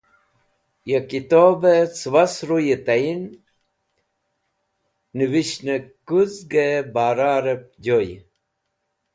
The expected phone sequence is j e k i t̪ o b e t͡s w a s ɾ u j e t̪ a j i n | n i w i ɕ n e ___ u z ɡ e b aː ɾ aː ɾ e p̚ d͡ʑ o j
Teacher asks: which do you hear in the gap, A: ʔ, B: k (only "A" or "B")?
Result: B